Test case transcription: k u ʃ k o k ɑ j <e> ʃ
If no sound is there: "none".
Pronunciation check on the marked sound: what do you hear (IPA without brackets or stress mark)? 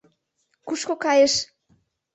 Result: e